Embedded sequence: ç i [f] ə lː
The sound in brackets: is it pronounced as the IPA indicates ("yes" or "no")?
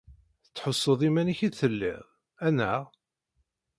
no